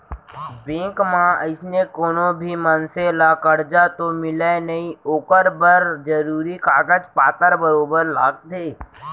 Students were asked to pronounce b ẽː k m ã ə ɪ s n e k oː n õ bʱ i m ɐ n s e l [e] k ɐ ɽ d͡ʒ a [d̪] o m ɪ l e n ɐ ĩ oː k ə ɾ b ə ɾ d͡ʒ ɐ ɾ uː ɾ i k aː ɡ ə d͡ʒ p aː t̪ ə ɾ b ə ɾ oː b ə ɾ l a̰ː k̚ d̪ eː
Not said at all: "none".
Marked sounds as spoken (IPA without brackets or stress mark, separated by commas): a, t̪